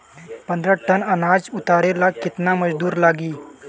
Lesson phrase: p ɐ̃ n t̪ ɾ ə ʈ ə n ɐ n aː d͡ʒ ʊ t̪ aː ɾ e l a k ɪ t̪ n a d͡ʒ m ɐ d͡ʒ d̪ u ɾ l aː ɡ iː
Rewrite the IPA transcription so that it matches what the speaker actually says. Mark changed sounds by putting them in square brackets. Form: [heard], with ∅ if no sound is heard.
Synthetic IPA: p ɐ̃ n [d̪] ɾ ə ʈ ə n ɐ n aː d͡ʒ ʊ t̪ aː ɾ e l a k ɪ t̪ n a [∅] m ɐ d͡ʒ d̪ [uː] ɾ l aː ɡ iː